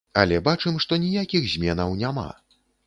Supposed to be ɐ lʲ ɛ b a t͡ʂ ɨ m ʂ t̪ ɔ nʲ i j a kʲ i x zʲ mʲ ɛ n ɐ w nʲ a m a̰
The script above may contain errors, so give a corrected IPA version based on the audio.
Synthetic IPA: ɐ lʲ ɛ b a t͡ʂ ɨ m ʂ t̪ ɔ nʲ i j a kʲ i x zʲ mʲ ɛ n ɐ w nʲ a m a̰